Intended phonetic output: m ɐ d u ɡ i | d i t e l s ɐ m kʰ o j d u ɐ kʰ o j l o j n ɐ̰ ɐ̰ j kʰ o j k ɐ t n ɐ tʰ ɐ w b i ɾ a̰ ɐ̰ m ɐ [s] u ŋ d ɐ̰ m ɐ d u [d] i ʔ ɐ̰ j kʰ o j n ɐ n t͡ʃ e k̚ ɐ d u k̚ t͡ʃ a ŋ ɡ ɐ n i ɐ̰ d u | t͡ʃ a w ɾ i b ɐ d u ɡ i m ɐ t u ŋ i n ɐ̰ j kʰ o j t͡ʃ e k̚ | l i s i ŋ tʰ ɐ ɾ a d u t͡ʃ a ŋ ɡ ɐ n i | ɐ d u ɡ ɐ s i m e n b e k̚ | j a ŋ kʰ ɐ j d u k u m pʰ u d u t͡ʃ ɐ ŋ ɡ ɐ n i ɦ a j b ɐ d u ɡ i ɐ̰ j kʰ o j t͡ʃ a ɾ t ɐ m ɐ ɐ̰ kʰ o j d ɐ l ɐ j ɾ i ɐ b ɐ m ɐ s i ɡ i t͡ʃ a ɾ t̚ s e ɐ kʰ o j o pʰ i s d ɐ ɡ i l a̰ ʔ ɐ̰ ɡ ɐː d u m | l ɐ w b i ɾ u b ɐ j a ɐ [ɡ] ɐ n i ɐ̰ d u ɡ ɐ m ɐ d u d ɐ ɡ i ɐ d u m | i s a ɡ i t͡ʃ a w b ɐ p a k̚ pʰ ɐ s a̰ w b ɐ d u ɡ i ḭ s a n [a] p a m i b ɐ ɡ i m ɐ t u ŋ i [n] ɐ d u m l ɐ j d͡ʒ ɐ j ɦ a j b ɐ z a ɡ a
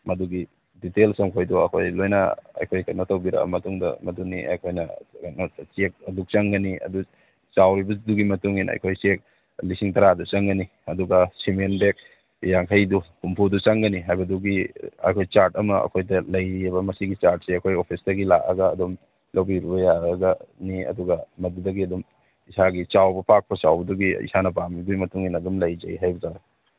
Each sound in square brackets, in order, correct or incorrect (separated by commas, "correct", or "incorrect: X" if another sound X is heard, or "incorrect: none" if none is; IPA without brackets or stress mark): incorrect: t, incorrect: n, correct, incorrect: ɐ, correct